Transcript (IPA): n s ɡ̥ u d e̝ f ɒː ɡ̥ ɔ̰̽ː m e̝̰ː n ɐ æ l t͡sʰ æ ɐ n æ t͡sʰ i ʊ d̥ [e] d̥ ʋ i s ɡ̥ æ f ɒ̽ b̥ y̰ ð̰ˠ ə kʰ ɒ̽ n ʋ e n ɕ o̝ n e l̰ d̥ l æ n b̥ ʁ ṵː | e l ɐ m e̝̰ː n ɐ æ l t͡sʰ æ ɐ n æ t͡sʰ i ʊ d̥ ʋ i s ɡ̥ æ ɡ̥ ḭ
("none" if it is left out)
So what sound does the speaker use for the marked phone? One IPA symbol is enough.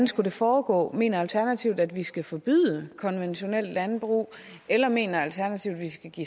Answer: æ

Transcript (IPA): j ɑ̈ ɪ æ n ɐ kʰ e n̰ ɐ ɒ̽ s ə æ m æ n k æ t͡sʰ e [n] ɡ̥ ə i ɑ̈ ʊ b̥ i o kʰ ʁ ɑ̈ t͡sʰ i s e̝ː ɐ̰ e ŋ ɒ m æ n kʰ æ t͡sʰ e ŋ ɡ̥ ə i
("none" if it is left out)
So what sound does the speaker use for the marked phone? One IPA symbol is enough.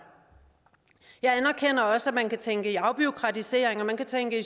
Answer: ŋ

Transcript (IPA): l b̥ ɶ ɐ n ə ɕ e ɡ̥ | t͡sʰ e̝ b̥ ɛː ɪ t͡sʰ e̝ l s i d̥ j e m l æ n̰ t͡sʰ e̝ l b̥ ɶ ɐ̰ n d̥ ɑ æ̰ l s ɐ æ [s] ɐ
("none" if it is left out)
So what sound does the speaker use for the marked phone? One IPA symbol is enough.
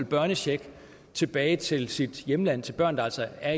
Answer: none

